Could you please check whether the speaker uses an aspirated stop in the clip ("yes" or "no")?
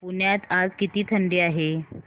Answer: yes